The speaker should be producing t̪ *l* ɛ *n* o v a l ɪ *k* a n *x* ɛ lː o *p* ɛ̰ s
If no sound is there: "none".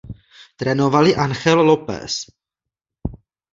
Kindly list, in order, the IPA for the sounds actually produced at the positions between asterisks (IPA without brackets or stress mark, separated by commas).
ɾ, n, ʔ, x, p